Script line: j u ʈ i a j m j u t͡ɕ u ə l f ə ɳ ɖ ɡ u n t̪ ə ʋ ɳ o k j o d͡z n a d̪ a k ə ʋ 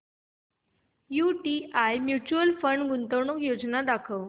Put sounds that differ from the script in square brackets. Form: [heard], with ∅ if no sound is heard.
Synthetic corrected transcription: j u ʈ i a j m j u t͡ɕ u ə l f ə ɳ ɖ ɡ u n t̪ ə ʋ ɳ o k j o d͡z n a d̪ a [kʰ] ə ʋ